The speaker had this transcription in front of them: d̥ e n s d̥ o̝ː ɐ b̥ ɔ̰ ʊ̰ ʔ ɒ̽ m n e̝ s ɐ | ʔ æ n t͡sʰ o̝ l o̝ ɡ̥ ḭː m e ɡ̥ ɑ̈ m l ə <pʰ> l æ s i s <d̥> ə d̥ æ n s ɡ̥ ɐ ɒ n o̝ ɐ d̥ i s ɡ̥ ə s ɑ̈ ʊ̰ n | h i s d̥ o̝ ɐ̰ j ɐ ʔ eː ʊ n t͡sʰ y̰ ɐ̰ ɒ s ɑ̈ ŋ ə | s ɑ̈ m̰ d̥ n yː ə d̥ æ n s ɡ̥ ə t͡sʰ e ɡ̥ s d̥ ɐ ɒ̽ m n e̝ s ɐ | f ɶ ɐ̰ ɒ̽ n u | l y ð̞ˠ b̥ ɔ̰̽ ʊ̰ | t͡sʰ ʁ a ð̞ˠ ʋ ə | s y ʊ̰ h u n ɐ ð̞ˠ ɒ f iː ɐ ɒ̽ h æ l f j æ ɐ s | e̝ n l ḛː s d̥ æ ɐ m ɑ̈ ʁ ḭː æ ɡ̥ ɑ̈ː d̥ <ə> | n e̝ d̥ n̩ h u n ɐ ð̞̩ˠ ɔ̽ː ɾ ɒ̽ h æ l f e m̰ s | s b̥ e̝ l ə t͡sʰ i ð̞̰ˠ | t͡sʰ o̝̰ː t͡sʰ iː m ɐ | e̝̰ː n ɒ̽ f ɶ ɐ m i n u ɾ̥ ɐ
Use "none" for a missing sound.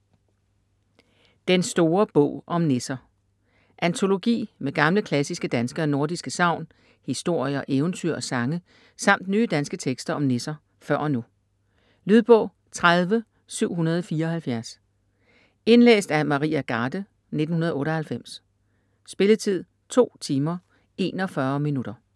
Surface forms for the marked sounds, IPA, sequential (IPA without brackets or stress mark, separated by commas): kʰ, ɡ̥, ə